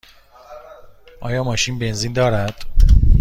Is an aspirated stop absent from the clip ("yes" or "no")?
yes